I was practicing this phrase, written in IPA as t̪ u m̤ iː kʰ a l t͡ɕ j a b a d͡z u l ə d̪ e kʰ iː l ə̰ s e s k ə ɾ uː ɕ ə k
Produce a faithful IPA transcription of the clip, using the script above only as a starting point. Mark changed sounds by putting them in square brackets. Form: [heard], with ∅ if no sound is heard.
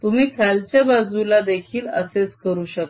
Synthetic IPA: t̪ u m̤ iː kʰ a l t͡ɕ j a b a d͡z u l [a] d̪ e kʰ iː l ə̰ s e [t͡s] k ə ɾ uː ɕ ə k